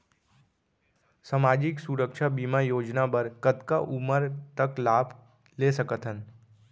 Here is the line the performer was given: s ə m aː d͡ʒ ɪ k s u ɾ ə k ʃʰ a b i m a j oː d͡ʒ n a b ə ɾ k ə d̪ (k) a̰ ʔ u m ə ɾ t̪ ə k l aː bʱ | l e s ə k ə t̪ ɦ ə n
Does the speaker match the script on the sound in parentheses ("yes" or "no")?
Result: yes